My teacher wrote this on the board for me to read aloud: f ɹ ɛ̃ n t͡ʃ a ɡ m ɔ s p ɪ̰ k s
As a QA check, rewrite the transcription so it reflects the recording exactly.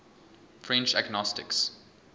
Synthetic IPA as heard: f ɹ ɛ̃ n t͡ʃ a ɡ n ɔ s t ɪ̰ k s